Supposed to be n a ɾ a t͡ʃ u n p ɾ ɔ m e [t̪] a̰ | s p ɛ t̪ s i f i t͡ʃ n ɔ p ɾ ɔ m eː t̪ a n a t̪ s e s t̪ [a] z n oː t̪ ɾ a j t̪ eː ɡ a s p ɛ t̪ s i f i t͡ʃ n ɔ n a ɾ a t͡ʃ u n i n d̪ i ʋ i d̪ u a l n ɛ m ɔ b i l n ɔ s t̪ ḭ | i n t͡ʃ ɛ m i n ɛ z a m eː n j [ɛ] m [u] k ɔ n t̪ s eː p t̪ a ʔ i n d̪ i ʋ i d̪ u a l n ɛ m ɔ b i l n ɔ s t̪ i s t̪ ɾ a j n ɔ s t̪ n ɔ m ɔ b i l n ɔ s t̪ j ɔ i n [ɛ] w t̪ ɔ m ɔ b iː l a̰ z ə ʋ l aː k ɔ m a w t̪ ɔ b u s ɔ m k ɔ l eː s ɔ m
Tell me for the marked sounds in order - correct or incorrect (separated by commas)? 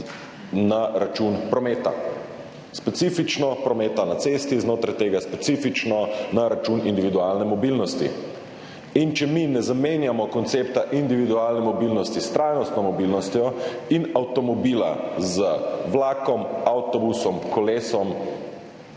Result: correct, incorrect, incorrect, incorrect, incorrect